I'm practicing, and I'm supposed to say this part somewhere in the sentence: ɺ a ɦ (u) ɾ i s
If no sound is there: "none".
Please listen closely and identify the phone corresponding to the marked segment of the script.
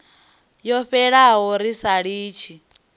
ɔ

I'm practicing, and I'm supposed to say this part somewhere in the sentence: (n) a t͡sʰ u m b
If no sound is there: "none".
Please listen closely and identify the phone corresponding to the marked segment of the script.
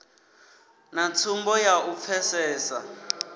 n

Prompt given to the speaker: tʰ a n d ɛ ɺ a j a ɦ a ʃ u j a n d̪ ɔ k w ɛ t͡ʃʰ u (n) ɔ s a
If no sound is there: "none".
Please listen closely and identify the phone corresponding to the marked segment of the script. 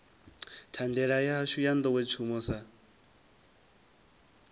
m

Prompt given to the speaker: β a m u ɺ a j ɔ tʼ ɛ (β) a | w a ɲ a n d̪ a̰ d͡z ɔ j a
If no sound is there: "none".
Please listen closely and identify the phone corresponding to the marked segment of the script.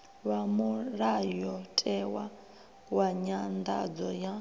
w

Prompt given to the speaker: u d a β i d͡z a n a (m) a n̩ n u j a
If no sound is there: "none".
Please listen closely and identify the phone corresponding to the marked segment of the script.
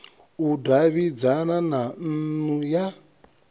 n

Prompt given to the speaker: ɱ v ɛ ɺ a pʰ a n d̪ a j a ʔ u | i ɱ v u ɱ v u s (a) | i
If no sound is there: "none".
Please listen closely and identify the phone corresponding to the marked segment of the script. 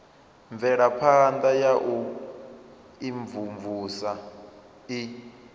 a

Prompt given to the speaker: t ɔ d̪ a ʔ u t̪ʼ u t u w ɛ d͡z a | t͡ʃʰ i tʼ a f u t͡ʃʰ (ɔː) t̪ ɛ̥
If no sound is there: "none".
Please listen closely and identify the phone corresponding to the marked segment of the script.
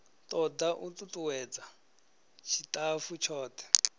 ɔː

